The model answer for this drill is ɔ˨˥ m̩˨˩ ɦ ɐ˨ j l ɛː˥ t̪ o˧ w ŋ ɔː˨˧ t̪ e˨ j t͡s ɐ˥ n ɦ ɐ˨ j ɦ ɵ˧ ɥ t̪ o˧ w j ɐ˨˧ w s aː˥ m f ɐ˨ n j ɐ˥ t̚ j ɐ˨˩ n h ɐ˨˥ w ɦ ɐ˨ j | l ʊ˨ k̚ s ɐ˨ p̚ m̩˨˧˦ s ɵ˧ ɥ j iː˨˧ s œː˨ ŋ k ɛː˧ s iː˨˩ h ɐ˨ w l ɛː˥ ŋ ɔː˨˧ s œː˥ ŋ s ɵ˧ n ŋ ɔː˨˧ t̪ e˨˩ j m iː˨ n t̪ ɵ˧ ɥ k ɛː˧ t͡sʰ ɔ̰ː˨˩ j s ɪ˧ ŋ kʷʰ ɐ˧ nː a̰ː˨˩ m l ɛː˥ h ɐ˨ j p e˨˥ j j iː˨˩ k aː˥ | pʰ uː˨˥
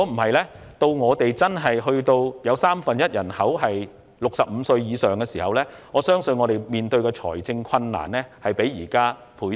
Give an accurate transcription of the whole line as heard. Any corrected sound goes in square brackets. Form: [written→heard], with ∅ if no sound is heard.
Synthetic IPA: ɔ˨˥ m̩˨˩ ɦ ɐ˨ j l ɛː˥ t̪ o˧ w ŋ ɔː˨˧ t̪ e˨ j t͡s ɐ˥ n ɦ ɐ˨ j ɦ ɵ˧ ɥ t̪ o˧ w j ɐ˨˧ w s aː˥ m f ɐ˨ n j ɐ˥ t̚ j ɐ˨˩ n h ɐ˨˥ w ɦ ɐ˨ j | l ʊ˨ k̚ s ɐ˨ p̚ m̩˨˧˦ s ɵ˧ ɥ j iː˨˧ s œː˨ ŋ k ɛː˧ s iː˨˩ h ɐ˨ w l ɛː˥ ŋ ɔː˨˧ s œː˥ ŋ s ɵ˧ n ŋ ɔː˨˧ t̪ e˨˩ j m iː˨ n t̪ ɵ˧ ɥ k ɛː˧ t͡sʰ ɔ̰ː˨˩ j [s→t͡s] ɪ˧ ŋ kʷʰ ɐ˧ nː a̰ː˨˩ [m→n] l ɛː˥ h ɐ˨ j p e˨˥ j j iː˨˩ k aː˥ | pʰ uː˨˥